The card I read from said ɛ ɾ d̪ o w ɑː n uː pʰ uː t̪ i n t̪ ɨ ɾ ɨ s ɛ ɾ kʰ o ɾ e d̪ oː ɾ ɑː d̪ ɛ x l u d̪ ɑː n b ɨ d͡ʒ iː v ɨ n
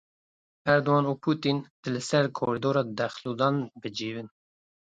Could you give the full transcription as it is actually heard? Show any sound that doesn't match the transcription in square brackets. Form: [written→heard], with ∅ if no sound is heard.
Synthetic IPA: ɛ ɾ d̪ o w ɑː n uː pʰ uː t̪ i n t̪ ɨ [ɾ→l] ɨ s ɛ ɾ kʰ o ɾ [e→i] d̪ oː ɾ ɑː d̪ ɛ x l u d̪ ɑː n b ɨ d͡ʒ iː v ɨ n